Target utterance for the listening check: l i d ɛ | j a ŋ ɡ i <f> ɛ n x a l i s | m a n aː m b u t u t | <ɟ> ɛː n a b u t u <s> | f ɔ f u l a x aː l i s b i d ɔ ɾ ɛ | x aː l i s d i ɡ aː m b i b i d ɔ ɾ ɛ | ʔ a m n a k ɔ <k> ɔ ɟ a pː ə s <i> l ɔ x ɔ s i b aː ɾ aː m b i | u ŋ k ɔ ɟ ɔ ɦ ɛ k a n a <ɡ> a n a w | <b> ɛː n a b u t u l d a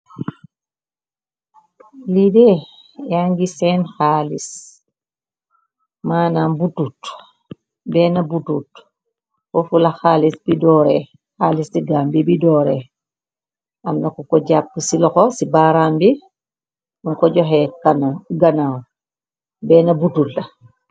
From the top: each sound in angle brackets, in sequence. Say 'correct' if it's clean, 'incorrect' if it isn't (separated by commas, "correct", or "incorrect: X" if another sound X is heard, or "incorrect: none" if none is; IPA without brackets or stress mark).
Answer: incorrect: s, incorrect: b, incorrect: t, correct, correct, correct, correct